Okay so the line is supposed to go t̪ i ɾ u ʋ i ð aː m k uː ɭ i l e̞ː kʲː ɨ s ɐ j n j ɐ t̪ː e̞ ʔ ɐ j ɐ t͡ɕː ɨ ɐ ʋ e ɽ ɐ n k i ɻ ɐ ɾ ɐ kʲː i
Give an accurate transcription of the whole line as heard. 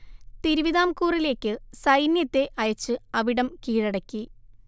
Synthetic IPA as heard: t̪ i ɾ u ʋ i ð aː m k uː r i l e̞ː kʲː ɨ s ɐ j n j ɐ t̪ː e̞ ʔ ɐ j ɐ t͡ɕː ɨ ɐ ʋ i ɽ ɐ m k iː ɻ ɐ ɽ ɐ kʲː i